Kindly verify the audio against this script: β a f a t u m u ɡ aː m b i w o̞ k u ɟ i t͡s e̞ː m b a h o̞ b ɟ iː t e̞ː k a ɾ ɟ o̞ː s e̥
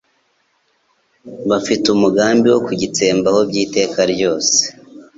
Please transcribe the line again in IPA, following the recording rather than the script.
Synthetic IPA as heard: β a f i t u m u ɡ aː m b i w o̞ k u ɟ i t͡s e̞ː m b a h o̞ b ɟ iː t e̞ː k a ɾ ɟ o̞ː s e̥